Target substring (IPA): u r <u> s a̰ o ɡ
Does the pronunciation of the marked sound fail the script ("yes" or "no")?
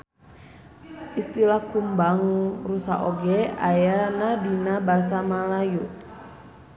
no